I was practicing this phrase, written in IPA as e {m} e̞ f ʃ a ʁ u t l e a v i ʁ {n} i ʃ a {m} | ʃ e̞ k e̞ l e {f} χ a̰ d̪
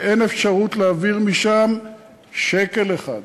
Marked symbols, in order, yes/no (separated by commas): no, no, yes, no